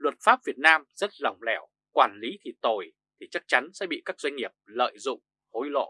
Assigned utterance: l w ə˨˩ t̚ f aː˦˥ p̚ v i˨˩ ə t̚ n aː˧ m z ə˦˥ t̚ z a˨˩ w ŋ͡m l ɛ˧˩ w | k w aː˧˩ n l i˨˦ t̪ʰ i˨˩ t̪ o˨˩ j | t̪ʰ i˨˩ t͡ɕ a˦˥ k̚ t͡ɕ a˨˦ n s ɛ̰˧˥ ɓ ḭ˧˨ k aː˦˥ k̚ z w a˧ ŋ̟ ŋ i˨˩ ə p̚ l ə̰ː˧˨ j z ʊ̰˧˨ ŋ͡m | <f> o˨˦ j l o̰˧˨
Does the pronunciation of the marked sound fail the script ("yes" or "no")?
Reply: yes